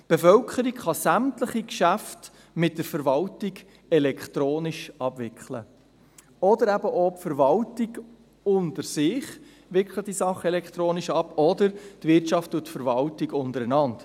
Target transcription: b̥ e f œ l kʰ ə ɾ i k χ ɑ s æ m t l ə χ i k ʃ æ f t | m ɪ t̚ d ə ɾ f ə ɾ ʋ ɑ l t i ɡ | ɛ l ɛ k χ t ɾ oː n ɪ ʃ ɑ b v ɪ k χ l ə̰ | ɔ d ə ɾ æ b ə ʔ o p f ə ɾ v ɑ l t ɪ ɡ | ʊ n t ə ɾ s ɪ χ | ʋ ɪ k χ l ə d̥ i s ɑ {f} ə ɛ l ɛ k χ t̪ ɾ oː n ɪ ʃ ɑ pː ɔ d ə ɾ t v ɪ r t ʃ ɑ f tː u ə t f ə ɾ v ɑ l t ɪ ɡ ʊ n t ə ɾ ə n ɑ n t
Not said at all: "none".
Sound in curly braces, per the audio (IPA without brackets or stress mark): χ